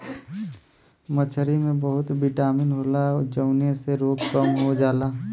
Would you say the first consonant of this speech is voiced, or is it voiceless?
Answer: voiced